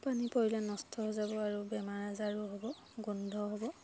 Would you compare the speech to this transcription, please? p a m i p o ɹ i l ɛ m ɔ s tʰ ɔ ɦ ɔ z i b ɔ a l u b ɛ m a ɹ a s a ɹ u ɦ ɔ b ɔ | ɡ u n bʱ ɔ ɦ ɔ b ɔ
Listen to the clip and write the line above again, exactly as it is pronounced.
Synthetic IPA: p a n i p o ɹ i l ɛ n ɔ s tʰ ɔ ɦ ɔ z a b ɔ a ɹ u b ɛ m a ɹ a z a ɹ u ɦ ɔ b ɔ | ɡ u n dʱ ɔ ɦ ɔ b ɔ